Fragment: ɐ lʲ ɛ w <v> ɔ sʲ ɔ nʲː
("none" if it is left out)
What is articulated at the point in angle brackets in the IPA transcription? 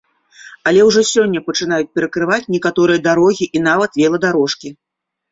ʐ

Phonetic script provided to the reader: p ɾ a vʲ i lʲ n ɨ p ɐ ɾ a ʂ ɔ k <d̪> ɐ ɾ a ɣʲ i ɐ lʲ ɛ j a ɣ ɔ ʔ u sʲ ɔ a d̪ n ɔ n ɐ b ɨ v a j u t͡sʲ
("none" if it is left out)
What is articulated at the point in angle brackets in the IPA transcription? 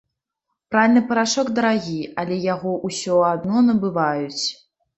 d̪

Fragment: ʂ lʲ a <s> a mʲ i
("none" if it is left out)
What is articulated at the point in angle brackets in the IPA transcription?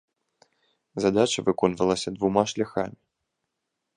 x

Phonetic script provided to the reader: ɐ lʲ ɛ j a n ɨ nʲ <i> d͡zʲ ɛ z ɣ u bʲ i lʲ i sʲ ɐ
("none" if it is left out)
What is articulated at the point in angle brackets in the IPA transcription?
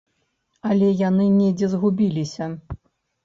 ɛ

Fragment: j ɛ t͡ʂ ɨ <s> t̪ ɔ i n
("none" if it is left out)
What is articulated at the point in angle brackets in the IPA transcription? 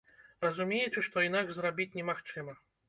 ʂ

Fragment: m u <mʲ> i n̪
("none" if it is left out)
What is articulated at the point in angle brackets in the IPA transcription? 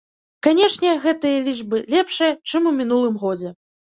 mʲ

